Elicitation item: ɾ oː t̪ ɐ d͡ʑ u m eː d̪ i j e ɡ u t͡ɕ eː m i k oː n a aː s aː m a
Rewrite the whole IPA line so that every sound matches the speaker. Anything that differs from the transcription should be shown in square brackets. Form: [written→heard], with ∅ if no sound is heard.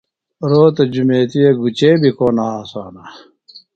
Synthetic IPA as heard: ɾ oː t̪ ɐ d͡ʑ u m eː [d̪→t̪] i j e ɡ u t͡ɕ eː [m→b] i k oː n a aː s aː [m→n] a